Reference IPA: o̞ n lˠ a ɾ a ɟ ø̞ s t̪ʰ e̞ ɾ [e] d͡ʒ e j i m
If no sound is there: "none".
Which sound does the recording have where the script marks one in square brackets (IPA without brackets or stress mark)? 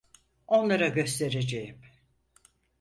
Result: e